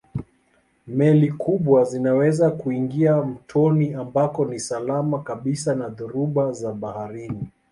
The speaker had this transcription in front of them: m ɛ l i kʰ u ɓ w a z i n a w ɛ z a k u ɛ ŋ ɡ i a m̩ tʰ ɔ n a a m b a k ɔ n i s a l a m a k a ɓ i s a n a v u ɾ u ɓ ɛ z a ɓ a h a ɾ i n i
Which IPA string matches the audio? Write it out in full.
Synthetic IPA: m ɛ l i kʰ u ɓ w a z i n a w ɛ z a k u i ŋ ɡ i a m̩ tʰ ɔ n i a m b a k ɔ n i s a l a m a k a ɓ i s a n a ð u ɾ u ɓ a z a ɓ a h a ɾ i n i